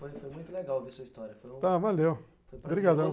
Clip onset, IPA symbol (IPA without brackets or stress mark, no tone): f